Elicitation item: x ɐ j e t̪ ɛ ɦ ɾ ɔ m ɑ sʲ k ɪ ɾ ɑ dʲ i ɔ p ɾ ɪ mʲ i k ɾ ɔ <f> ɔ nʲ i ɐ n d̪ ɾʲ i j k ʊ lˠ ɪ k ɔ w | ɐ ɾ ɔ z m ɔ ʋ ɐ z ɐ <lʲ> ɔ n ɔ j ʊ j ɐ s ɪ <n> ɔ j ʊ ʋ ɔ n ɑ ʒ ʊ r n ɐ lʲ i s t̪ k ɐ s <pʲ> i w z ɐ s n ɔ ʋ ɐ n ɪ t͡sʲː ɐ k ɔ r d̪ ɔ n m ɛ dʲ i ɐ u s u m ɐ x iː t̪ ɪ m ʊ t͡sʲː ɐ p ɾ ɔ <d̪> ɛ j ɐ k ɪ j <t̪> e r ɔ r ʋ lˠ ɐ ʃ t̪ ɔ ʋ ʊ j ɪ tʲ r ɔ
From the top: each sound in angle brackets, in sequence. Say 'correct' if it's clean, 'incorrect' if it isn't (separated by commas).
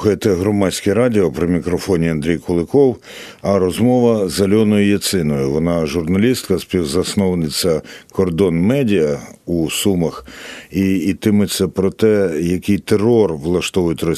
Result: correct, correct, correct, correct, incorrect, correct